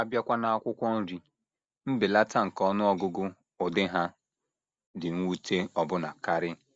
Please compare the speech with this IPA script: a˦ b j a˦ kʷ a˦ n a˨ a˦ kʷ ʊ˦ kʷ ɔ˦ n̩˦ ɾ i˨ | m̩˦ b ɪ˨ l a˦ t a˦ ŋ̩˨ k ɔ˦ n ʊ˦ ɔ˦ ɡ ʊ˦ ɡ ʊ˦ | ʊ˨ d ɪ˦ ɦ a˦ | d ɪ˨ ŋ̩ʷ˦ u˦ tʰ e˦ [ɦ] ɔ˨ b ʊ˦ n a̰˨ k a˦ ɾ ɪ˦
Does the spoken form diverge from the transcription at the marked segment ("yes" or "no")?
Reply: yes